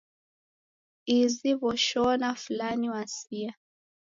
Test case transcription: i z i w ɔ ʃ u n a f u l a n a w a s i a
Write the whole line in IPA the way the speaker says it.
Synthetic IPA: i z i β ɔ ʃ ɔ n a f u l a n i w a s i a